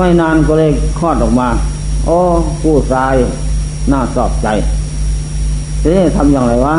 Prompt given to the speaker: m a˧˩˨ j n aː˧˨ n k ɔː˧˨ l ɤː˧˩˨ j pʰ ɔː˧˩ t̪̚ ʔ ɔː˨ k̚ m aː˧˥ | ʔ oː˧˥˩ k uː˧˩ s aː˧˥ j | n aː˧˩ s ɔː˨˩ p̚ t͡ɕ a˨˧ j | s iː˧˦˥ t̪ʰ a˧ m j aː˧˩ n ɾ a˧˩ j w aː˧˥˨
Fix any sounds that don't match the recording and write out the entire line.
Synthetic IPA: m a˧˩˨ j n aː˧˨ n k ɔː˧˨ l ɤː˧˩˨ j kʰ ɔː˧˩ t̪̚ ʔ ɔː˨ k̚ m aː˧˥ | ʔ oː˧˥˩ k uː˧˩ s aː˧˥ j | n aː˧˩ s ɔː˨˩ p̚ t͡ɕ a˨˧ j | s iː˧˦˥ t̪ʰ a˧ m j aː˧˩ ŋ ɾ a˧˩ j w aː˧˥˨